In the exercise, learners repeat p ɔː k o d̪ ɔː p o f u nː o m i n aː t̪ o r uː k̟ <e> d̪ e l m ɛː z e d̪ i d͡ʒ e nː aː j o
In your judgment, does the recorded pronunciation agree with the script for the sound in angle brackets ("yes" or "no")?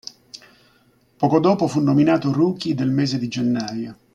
no